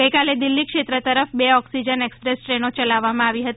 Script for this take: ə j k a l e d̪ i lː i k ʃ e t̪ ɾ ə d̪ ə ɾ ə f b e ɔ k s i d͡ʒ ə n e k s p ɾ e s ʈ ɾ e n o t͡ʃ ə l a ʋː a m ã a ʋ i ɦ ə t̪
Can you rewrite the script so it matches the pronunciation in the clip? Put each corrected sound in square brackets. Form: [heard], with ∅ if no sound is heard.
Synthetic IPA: ə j k a l e d̪ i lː i k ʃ e t̪ ɾ ə [t̪] ə ɾ ə f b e ɔ k s i d͡ʒ ə n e k s p ɾ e s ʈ ɾ e n o t͡ʃ ə l a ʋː a m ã a ʋ i ɦ ə t̪